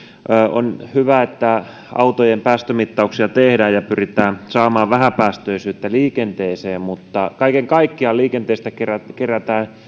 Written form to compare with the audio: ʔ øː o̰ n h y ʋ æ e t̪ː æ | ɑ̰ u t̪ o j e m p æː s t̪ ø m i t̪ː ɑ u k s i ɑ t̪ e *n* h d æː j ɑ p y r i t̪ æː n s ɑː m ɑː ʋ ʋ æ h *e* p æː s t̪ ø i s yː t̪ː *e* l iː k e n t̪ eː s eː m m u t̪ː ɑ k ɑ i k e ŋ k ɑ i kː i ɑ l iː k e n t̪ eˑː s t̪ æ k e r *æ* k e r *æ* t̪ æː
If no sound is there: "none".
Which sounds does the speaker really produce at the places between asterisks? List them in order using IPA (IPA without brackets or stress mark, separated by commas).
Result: none, æ, æ, æ, æ